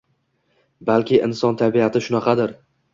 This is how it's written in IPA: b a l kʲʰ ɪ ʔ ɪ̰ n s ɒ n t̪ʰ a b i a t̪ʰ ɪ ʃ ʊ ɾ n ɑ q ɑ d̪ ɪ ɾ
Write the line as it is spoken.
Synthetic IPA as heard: b a l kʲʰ ɪ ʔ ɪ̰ n s ɒ n t̪ʰ a b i a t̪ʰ ɪ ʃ ʊ n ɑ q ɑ d̪ ɪ ɾ